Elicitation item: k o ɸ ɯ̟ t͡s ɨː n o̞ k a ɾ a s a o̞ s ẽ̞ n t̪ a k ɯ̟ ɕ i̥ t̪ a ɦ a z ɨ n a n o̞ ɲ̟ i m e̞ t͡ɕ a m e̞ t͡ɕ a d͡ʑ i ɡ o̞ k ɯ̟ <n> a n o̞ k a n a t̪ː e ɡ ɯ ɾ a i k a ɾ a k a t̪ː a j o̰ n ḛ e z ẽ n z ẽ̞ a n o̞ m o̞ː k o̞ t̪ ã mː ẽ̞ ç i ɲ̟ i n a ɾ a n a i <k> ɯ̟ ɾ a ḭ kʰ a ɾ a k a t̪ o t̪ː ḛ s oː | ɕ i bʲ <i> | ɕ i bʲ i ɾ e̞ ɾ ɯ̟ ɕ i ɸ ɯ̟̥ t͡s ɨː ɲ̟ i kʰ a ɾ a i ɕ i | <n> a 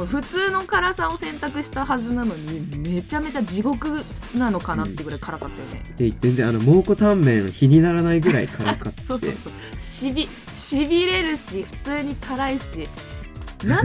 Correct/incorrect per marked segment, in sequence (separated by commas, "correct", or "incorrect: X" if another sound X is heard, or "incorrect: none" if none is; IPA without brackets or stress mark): correct, incorrect: ɡ, correct, correct